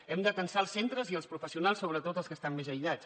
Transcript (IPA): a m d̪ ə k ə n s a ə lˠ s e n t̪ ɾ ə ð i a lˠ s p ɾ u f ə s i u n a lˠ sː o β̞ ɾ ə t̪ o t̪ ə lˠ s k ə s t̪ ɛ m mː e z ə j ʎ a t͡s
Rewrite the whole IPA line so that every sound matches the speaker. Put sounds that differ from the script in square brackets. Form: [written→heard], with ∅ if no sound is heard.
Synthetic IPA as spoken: [a→ɛ] m d̪ ə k ə n s a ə lˠ s e n t̪ ɾ ə [ð→z] i [a→ə] lˠ s p ɾ u f ə s i u n a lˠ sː o β̞ ɾ ə t̪ o t̪ ə lˠ s k ə s t̪ [ɛ→a] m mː e z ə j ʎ a t͡s